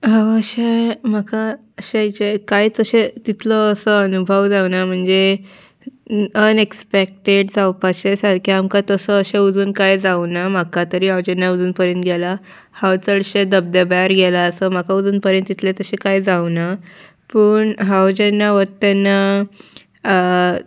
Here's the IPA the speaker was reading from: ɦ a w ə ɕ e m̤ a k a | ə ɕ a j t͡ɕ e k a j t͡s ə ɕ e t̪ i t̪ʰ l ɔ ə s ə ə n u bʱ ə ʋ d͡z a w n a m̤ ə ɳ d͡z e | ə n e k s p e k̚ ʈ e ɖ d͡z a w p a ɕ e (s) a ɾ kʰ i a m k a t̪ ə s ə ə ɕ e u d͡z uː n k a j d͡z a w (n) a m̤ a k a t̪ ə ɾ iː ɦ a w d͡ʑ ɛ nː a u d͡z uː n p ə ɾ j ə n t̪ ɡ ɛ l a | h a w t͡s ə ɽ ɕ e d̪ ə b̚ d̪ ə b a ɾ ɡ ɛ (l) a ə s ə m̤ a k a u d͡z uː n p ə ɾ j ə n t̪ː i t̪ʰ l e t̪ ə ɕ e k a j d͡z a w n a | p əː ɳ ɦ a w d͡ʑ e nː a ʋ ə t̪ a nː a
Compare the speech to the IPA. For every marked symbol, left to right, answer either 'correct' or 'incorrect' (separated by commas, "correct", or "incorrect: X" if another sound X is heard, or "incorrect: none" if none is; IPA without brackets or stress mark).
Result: correct, correct, correct